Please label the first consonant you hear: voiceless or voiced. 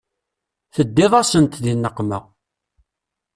voiceless